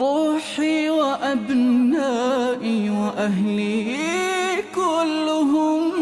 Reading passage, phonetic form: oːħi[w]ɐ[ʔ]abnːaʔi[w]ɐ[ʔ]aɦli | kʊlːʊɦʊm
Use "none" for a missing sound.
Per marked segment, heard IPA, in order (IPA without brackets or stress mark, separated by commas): w, ʔ, w, ʔ